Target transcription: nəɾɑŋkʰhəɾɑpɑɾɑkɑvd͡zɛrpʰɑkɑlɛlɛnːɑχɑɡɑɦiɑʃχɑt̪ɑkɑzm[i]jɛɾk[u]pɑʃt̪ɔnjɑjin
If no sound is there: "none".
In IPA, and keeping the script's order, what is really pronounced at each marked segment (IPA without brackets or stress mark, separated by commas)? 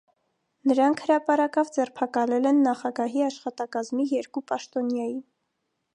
i, u